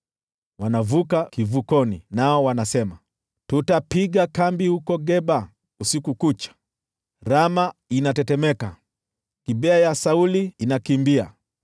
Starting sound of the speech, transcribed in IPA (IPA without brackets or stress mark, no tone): w